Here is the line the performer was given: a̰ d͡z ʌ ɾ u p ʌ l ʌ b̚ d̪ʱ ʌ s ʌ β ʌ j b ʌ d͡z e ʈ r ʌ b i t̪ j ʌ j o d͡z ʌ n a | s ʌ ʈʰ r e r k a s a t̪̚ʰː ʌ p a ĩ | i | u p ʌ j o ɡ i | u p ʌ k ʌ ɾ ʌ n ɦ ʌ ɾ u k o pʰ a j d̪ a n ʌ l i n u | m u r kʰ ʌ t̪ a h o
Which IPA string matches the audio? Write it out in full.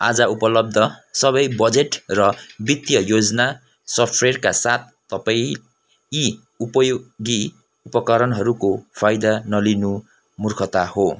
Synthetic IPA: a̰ d͡z ʌ u p ʌ l ʌ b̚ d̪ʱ ʌ s ʌ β ʌ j b ʌ d͡z e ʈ r ʌ b i t̪ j ʌ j o d͡z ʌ n a | s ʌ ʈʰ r e r k a s a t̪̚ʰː ʌ p a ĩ | i | u p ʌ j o ɡ i | u p ʌ k ʌ ɾ ʌ n ɦ ʌ ɾ u k o pʰ a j d̪ a n ʌ l i n u | m u r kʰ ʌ t̪ a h o